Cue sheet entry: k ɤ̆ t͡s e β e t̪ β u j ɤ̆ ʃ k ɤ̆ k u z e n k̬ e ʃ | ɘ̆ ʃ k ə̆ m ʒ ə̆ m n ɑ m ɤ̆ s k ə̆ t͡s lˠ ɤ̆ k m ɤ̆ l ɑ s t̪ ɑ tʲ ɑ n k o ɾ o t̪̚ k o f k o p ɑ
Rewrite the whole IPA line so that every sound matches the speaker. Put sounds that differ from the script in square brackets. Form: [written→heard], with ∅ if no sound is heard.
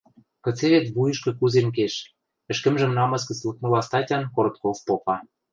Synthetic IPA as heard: k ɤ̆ t͡s e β e t̪ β u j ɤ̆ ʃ k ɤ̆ k u z e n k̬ e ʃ | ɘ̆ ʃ k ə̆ m ʒ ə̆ m n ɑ m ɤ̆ s k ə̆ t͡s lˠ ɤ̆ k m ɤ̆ l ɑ s t̪ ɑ tʲ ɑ n k o ɾ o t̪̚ k o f [k→p] o p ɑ

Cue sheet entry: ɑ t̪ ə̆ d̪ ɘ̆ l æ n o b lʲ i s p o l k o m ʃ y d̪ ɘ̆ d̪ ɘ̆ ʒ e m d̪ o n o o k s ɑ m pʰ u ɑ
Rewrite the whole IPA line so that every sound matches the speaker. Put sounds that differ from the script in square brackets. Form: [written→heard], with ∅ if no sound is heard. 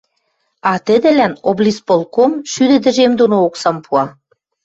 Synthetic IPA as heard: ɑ t̪ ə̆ d̪ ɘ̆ l æ n o b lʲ i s p o l k o m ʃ y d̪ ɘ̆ d̪ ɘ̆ ʒ e m d̪ o n o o k s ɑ m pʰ u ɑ

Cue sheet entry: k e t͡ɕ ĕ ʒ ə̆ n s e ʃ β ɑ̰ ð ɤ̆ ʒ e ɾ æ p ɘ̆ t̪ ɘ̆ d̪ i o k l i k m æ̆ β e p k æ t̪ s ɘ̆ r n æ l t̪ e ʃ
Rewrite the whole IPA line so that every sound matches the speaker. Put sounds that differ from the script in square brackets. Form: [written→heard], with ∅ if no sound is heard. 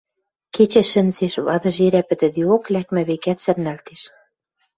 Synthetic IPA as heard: k e t͡ɕ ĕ [ʒ→ʃ] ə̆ n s e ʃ β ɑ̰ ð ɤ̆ ʒ e ɾ æ p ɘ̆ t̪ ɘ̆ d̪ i o k l [i→æ] k m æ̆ β e [p→∅] k æ t̪ s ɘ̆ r n æ l t̪ e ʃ

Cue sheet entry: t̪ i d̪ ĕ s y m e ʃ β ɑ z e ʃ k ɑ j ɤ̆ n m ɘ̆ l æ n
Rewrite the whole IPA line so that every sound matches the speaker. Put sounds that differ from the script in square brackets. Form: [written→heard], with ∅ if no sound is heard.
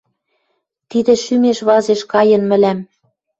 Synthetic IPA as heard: t̪ i d̪ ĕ [s→ʃ] y m e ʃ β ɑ z e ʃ k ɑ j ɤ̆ n m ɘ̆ l æ [n→m]

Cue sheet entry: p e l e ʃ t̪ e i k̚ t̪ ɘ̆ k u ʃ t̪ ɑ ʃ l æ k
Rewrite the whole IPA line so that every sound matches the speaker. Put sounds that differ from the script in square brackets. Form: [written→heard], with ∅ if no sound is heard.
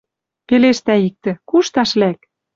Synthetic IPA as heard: p e l e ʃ t̪ [e→æ] i k̚ t̪ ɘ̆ k u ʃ t̪ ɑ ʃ l æ k

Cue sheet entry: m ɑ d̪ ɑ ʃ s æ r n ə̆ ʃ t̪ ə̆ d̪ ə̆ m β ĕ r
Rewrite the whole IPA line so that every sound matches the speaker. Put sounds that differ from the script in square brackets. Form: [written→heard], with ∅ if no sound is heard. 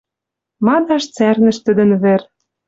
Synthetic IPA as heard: m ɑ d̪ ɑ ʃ [s→t͡s] æ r n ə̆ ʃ t̪ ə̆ d̪ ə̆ [m→n] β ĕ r

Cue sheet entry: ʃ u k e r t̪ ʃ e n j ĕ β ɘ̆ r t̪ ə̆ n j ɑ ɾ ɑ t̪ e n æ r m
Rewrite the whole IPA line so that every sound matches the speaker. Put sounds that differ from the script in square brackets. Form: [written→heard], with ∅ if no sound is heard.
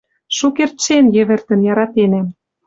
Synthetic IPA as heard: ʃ u k e r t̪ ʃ e n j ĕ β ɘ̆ r t̪ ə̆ n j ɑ ɾ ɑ t̪ e n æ [r→∅] m

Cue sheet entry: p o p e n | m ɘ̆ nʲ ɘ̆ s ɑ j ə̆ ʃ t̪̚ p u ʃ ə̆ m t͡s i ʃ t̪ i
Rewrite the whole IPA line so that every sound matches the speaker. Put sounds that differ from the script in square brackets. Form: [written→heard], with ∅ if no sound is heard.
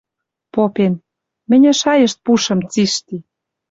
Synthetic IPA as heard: p o p e n | m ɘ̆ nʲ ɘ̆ [s→ʃ] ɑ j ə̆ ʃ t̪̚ p u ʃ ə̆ m t͡s i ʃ t̪ i

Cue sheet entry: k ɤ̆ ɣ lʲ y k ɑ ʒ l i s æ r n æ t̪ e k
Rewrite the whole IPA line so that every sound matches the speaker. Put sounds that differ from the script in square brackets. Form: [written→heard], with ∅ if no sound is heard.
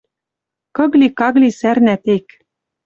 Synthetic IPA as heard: k ɤ̆ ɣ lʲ [y→i] k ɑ [ʒ→ɣ] l i s æ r n æ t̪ e k

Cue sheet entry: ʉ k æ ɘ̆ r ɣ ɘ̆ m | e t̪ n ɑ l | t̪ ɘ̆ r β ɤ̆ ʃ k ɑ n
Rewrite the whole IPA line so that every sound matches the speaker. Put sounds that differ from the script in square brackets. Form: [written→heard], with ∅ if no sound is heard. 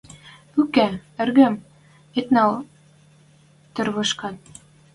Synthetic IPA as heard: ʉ k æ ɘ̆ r ɣ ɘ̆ m | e t̪ n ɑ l | t̪ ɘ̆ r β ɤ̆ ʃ k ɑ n

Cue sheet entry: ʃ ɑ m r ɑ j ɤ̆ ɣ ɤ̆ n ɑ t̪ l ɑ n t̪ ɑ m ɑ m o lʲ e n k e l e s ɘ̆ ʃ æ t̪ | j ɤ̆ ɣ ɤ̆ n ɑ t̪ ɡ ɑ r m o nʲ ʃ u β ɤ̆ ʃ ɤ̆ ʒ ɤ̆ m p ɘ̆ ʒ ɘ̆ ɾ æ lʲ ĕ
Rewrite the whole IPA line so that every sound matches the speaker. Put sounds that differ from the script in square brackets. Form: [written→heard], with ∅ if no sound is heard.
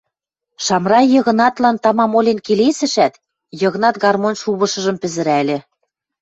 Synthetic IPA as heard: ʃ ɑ m r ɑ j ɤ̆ ɣ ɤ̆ n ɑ t̪ l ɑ n t̪ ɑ m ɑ m o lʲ e n k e l e s ɘ̆ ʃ æ t̪ | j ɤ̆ ɣ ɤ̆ n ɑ t̪ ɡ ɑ r m o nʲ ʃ u β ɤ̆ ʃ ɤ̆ ʒ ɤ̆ m p ɘ̆ [ʒ→z] ɘ̆ ɾ æ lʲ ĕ

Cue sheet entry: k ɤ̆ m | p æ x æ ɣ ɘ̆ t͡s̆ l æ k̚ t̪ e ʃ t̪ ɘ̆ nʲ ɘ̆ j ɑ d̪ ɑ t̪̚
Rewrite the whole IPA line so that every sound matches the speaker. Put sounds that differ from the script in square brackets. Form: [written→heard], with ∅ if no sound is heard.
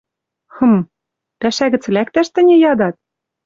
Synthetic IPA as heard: [k→x] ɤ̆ m | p æ [x→ʃ] æ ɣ ɘ̆ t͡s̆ l æ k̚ t̪ [e→æ] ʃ t̪ ɘ̆ nʲ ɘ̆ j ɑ d̪ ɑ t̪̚

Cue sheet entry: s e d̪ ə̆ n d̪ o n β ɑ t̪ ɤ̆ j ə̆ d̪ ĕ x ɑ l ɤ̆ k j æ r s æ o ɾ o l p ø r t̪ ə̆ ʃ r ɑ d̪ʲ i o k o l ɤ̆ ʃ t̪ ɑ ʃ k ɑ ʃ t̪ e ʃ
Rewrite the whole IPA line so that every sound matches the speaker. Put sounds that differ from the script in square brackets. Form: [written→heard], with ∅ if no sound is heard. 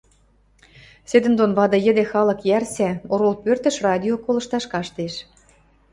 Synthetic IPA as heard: s e d̪ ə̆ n d̪ o n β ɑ [t̪→d̪] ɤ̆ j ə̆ d̪ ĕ x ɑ l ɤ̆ k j æ r s æ o ɾ o l p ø r t̪ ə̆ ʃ r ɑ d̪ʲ i o k o l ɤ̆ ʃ t̪ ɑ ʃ k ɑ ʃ t̪ e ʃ

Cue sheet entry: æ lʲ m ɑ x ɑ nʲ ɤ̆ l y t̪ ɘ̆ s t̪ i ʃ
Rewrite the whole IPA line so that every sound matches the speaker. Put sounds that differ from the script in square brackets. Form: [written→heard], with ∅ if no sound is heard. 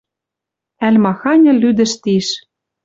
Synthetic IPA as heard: æ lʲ m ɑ x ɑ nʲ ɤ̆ l y [t̪→d̪] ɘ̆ [s→ʃ] t̪ i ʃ

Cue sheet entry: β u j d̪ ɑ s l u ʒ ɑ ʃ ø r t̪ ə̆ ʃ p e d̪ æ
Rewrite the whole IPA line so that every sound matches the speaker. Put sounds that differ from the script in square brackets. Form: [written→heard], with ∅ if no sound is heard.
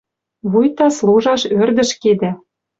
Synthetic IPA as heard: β u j [d̪→t̪] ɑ s l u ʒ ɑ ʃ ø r [t̪→d̪] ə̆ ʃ [p→k] e d̪ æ

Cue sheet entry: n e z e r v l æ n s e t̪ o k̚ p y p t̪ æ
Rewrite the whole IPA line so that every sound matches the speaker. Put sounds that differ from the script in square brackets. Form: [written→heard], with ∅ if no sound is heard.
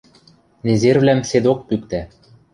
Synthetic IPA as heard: n e z e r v l æ [n→m] s e [t̪→d̪] o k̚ p y [p→k] t̪ æ

